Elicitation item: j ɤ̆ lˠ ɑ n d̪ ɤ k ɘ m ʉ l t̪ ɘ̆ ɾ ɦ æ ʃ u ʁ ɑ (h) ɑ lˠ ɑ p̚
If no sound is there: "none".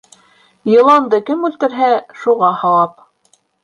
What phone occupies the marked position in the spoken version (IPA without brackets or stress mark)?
h